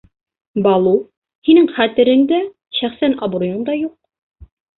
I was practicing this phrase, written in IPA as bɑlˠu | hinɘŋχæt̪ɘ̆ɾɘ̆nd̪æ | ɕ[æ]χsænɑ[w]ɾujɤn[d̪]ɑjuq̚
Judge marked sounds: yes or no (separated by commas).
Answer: yes, no, yes